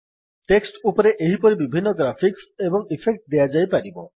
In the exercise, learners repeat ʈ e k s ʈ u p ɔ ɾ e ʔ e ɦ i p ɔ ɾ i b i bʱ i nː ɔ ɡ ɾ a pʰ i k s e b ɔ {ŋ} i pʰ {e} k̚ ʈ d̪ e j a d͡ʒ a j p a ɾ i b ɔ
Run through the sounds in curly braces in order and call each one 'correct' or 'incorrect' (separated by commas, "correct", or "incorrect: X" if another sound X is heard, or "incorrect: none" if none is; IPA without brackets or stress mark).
correct, correct